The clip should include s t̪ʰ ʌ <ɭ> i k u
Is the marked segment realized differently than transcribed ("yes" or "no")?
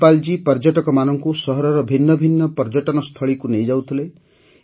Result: no